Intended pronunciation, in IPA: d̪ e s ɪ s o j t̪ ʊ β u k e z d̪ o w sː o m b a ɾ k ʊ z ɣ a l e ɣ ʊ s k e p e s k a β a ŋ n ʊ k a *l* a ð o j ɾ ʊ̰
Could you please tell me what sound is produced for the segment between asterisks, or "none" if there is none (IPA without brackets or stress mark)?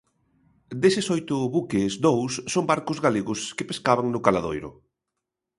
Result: l